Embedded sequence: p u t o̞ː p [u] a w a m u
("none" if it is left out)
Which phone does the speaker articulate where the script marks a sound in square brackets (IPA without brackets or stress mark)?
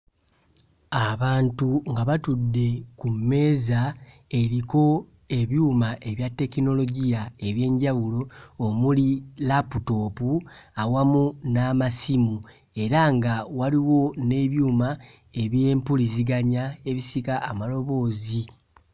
u